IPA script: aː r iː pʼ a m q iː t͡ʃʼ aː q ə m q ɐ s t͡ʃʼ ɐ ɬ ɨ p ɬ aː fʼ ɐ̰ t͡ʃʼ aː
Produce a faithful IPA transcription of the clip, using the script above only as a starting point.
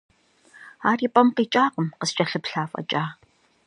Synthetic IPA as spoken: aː r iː pʼ ɐ m q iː t͡ʃʼ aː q ə m q ə s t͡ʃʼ ɐ ɬ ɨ p ɬ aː fʼ ɐ̰ t͡ʃʼ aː